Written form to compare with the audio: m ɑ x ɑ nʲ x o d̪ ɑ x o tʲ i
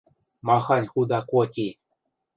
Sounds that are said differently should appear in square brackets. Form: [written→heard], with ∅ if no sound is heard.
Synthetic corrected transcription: m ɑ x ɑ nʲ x [o→u] d̪ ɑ [x→k] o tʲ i